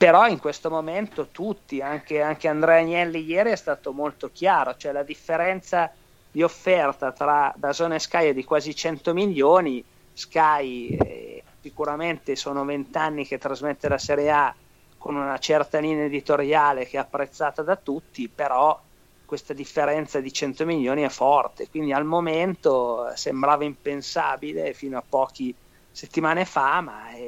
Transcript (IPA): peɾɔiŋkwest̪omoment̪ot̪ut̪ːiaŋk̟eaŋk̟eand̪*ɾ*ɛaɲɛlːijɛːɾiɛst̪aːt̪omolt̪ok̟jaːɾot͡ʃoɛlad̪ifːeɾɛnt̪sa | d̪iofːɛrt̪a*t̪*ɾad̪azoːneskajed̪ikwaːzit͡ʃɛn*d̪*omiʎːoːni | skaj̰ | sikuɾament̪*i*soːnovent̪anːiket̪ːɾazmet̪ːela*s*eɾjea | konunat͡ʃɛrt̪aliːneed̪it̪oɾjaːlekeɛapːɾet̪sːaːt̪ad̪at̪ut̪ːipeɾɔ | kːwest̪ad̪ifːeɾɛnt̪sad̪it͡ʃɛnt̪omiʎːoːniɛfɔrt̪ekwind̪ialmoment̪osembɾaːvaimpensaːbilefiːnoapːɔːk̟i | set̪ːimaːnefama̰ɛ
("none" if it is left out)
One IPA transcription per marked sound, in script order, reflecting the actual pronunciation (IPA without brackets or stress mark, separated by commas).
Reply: ɾ, t̪, t̪, e, s